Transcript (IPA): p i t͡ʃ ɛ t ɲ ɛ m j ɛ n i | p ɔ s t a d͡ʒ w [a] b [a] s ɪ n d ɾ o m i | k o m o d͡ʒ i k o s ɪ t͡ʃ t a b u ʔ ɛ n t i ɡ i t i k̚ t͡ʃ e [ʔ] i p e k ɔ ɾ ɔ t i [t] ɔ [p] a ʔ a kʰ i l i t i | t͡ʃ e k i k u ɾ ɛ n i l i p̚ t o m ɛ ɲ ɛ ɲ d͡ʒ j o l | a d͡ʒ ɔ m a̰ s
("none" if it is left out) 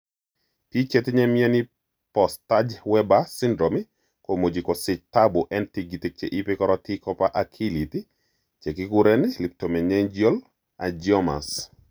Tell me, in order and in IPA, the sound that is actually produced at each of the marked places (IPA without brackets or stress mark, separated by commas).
ɛ, a, ʔ, k, p